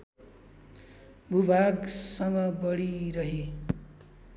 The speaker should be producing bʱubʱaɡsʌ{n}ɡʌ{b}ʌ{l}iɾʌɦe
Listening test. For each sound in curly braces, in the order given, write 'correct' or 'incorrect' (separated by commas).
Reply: incorrect, correct, incorrect